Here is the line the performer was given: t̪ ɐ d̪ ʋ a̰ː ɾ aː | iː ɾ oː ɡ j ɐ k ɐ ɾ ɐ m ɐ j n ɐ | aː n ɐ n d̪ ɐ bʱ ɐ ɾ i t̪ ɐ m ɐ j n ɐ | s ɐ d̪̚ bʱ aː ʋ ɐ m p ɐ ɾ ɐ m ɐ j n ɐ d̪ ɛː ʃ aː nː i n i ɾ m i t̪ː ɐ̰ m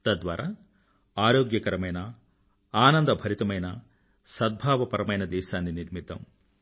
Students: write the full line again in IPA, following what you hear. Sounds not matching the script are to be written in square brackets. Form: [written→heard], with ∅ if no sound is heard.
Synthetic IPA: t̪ ɐ d̪ ʋ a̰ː ɾ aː | [iː→aː] ɾ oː ɡ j ɐ k ɐ ɾ ɐ m ɐ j n ɐ | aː n ɐ n d̪ ɐ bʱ ɐ ɾ i t̪ ɐ m ɐ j n ɐ | s ɐ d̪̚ bʱ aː ʋ ɐ [m→∅] p ɐ ɾ ɐ m ɐ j n ɐ d̪ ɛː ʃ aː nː i n i ɾ m i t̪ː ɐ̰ m